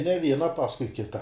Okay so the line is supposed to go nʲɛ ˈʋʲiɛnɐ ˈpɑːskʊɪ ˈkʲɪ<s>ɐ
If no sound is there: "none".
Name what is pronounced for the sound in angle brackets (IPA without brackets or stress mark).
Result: t